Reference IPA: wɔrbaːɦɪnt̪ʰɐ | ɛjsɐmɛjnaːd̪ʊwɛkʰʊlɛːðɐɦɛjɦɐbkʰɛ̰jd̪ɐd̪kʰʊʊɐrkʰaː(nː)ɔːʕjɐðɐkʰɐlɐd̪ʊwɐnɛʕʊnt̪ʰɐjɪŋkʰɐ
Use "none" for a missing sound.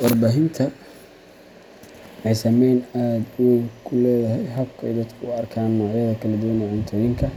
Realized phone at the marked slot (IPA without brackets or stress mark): nː